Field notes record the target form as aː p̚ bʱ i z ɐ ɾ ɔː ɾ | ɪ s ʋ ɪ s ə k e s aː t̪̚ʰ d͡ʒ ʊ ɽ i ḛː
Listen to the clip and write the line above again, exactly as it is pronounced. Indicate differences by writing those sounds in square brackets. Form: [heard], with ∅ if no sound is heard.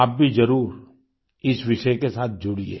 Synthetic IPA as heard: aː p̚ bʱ i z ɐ ɾ [uː] ɾ | ɪ s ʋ ɪ [ʃ] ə k e s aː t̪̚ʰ d͡ʒ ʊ ɽ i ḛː